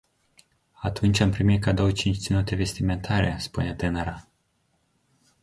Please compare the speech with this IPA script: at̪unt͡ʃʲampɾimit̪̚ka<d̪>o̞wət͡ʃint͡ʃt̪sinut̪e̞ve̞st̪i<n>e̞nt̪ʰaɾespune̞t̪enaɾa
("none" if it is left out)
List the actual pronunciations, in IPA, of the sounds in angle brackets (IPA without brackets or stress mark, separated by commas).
d̪, m